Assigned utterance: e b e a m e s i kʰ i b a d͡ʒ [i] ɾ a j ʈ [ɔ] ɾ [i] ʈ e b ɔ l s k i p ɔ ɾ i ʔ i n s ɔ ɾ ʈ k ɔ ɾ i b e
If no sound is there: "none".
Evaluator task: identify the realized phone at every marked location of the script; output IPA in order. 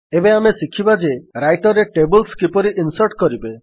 e, ɔ, e

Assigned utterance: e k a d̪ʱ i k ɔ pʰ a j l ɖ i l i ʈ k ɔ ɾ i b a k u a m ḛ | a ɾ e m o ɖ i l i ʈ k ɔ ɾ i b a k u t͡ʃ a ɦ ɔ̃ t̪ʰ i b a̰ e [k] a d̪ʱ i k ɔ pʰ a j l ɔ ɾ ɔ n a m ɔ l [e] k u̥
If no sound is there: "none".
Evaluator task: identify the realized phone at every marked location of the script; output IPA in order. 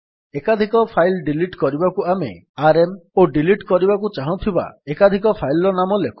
k, e

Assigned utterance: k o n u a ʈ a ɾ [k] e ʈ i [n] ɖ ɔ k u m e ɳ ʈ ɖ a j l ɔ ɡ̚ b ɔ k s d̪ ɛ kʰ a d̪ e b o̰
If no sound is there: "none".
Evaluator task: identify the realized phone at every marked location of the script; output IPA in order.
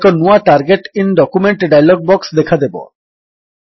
ɡ, n

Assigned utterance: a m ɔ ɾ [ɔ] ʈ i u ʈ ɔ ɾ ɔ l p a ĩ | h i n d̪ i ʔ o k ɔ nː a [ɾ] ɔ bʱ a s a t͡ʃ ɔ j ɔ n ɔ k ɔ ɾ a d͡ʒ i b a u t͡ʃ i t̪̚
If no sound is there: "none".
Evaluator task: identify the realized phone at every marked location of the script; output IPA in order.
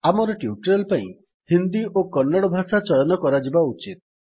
ɔ, ɽ

